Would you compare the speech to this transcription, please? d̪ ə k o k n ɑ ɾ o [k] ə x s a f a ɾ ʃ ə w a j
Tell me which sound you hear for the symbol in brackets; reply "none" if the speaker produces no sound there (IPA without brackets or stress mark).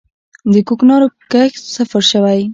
k